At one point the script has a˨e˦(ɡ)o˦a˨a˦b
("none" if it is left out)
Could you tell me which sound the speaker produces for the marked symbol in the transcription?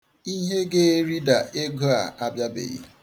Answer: ɡ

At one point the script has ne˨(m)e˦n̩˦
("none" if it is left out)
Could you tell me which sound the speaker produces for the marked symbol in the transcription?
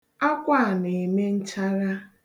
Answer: m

